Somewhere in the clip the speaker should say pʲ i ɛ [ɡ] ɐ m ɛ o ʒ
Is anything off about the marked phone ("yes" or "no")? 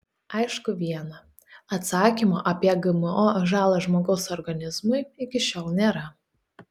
no